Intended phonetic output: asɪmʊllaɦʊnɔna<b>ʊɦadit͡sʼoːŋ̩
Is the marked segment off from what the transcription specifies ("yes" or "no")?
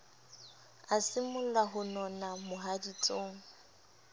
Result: yes